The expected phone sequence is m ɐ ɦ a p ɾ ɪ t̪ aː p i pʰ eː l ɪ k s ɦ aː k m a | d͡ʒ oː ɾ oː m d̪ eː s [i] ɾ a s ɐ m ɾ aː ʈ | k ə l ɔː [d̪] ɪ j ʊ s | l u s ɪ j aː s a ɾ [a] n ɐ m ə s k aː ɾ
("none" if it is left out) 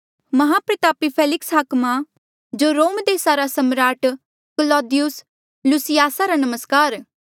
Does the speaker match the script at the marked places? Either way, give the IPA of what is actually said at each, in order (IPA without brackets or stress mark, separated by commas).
a, d̪, a